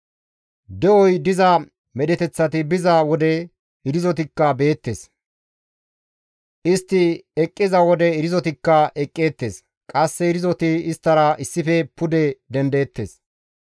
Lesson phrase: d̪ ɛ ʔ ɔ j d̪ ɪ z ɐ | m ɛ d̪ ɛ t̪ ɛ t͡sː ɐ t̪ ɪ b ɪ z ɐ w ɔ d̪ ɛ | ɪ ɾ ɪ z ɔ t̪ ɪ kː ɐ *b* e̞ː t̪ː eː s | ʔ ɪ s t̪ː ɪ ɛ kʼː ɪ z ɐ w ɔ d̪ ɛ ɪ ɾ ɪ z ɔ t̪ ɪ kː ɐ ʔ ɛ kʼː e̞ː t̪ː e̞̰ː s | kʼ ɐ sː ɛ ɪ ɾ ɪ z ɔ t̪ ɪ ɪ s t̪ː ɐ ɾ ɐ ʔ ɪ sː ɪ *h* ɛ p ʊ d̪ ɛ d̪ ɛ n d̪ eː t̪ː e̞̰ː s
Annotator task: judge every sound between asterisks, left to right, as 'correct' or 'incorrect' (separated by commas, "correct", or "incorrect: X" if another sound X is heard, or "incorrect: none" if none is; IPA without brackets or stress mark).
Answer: correct, incorrect: f